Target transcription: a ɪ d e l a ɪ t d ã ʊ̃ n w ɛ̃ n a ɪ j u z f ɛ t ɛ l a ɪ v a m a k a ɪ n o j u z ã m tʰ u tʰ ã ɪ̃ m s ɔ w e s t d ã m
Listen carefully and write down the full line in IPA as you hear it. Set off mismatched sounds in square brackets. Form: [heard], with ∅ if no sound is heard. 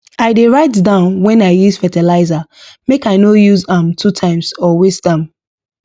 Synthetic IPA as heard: a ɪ d e [ɹ] a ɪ t d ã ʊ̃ n w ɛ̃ n a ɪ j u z f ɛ t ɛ l a ɪ [z] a m [e] k a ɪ n o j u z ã m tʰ u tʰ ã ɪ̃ m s ɔ w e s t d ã m